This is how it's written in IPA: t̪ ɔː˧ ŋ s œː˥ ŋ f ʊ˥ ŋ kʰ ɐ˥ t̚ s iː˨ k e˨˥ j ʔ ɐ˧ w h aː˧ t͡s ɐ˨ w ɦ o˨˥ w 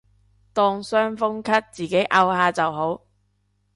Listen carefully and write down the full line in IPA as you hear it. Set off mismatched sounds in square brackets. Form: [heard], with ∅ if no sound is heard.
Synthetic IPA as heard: t̪ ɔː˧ ŋ s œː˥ ŋ f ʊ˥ ŋ kʰ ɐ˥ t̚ [t͡s] iː˨ k e˨˥ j ʔ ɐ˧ w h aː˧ t͡s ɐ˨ w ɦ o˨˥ w